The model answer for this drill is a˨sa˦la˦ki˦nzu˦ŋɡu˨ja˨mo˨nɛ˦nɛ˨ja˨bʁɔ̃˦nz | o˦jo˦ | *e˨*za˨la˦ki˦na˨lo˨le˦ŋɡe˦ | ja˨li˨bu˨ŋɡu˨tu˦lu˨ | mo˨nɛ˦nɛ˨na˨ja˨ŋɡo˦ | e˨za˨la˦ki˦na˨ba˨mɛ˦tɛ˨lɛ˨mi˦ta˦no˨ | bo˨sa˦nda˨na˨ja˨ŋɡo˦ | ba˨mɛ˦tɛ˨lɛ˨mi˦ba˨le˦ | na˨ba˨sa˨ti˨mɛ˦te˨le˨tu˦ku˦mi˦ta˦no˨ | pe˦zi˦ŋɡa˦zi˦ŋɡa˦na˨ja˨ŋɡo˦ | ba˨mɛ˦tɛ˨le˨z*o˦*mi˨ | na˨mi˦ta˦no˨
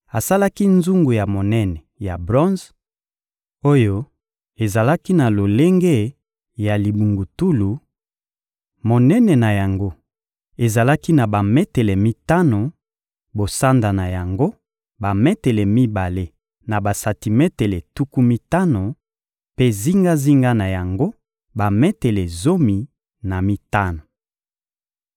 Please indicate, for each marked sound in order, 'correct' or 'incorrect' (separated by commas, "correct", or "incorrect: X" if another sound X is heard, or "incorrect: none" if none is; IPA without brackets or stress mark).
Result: correct, correct